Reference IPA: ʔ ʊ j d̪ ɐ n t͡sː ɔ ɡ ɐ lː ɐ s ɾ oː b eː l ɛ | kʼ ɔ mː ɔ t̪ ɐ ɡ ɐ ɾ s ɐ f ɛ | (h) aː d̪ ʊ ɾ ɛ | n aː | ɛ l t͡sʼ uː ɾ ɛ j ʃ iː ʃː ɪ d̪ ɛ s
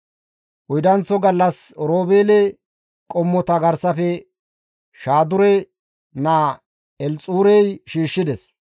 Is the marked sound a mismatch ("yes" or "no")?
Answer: yes